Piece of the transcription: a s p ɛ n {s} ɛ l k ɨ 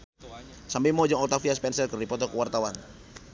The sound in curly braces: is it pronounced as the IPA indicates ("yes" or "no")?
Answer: yes